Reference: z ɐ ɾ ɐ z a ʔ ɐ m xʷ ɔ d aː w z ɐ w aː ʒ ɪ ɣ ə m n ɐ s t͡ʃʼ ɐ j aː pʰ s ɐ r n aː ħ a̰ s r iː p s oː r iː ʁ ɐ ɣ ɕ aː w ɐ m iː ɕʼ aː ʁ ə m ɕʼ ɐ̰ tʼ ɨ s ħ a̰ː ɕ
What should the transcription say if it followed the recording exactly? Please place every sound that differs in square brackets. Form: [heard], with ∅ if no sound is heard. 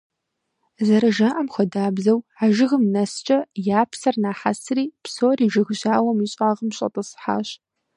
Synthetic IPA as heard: z ɐ ɾ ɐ [ʒ] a ʔ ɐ m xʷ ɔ d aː [b] z ɐ w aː ʒ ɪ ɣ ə m n ɐ s t͡ʃʼ ɐ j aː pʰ s ɐ r n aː ħ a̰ s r iː p s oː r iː [ʒ] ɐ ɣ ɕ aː w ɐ m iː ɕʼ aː ʁ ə m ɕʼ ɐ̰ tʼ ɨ s ħ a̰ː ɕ